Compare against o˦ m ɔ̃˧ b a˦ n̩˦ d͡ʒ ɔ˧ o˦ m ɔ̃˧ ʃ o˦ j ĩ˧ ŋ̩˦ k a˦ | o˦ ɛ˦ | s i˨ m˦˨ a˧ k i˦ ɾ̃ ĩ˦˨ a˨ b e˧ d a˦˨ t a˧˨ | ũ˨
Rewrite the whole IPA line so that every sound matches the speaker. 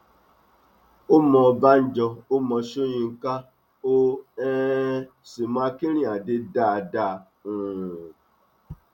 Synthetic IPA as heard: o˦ m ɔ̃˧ b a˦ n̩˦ d͡ʒ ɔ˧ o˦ m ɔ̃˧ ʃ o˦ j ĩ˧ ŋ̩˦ k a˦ | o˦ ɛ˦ | s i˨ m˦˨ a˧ k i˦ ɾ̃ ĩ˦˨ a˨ d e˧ d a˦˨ d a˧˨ | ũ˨